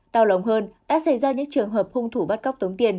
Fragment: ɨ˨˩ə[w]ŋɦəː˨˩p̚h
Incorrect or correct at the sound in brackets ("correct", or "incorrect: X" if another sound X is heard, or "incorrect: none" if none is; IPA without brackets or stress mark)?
incorrect: none